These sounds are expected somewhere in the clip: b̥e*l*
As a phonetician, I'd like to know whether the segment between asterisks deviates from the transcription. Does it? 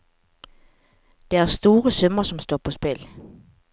no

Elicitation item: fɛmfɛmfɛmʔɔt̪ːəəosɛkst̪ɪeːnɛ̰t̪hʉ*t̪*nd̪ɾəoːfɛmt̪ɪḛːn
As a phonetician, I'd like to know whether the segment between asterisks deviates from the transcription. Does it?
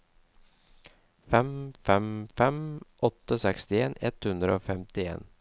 yes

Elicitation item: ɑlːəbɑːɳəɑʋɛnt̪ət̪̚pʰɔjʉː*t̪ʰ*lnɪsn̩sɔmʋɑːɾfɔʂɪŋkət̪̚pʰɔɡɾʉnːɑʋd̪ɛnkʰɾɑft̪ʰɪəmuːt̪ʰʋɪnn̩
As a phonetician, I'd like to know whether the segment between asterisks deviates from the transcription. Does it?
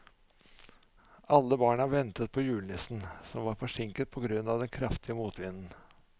yes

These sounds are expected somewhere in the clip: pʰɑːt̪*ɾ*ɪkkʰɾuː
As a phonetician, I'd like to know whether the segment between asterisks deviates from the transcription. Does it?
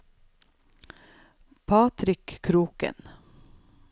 no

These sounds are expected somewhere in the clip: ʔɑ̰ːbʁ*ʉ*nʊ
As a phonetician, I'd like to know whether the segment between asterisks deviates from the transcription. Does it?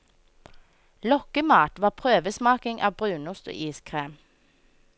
yes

